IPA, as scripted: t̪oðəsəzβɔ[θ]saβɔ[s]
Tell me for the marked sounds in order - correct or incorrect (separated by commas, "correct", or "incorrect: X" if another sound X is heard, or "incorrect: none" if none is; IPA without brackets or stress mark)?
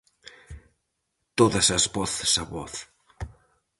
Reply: correct, incorrect: θ